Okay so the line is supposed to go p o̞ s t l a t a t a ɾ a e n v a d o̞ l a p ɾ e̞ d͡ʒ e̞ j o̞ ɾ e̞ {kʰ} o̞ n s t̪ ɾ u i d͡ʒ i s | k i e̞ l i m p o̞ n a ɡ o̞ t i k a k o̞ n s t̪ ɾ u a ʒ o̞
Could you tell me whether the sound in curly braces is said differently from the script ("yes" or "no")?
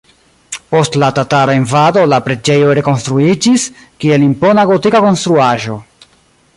yes